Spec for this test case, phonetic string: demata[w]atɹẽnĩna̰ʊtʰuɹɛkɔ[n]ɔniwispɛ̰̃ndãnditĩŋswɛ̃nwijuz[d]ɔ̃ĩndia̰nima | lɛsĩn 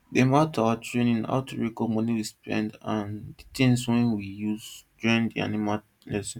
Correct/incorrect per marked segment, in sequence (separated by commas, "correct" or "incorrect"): correct, incorrect, incorrect